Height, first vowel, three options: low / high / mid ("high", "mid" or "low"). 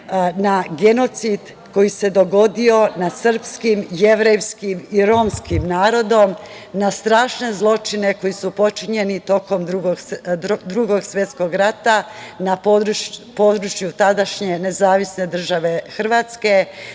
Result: low